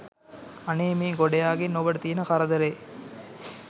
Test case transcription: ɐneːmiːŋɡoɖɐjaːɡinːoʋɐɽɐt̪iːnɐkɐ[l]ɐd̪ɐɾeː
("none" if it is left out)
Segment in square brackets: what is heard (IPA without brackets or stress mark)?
ɾ